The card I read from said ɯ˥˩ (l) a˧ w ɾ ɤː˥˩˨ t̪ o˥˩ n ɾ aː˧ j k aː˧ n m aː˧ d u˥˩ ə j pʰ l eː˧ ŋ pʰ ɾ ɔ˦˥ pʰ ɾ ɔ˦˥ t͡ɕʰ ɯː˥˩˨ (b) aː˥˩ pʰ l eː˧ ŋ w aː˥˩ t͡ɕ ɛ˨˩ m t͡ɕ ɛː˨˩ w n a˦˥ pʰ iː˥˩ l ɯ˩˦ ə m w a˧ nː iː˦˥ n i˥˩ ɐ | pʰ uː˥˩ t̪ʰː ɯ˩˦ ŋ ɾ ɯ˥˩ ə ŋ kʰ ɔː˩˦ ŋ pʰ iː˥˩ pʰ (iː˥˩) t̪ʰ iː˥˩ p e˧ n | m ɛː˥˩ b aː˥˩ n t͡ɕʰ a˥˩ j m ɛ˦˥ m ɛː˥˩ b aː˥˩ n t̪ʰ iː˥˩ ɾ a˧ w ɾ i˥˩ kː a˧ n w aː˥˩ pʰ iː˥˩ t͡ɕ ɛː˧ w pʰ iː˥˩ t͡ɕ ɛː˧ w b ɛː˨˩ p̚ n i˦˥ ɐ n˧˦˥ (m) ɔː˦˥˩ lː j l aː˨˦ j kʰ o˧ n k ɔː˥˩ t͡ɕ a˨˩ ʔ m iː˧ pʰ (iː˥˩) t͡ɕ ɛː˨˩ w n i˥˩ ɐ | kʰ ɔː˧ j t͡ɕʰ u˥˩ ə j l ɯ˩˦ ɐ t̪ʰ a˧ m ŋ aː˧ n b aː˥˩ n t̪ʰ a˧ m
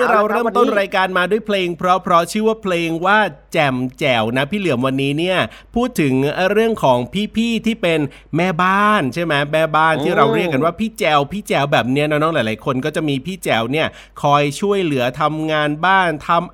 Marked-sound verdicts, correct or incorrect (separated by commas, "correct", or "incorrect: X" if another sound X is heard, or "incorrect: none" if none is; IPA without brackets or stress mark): incorrect: ɾ, incorrect: w, correct, incorrect: n, correct